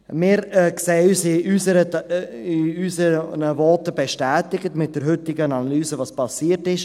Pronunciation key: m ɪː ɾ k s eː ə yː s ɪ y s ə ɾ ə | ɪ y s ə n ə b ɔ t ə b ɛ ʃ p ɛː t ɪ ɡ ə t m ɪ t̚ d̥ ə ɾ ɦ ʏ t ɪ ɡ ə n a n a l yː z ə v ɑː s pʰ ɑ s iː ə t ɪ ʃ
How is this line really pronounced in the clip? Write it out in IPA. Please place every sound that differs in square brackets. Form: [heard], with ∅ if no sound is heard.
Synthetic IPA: m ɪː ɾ k s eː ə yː s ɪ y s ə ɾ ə | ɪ y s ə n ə [v] ɔ t ə b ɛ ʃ [t] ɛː t ɪ ɡ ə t m ɪ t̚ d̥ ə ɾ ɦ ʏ t ɪ ɡ ə n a n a l yː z ə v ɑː s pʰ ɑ s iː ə t ɪ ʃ